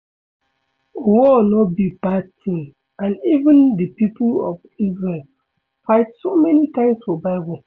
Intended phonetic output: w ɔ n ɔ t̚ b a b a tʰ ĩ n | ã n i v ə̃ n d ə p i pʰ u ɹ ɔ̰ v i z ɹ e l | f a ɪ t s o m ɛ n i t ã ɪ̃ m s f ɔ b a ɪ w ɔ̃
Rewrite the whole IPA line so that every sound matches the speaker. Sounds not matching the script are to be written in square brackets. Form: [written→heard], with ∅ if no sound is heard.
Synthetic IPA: w ɔ n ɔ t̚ b [a→i] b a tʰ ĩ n | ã n i v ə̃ n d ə p i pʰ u [ɹ→l] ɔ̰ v i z ɹ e l | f a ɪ t s o m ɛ n i t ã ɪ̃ m s f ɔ b a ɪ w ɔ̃